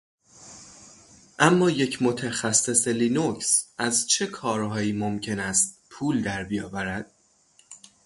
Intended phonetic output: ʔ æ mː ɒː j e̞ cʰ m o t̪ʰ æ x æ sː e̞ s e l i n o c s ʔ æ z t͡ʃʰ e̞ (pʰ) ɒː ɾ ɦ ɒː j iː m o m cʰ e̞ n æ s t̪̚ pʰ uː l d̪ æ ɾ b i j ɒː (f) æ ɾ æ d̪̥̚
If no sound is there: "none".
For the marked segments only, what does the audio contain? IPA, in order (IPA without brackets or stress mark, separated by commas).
kʰ, v